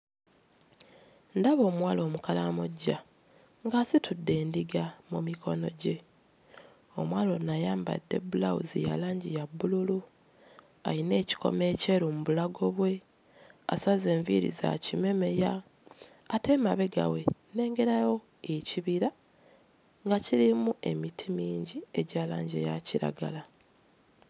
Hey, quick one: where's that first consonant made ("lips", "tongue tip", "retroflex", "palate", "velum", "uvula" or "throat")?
tongue tip